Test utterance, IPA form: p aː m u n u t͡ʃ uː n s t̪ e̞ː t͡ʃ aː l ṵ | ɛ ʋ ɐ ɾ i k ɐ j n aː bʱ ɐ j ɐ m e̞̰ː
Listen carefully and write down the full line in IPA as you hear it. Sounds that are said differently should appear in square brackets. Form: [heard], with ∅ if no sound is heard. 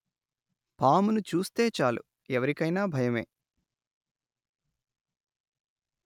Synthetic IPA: p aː m u n u t͡ʃ uː [∅] s t̪ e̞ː t͡ʃ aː l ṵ | ɛ ʋ ɐ ɾ i k ɐ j n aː bʱ ɐ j ɐ m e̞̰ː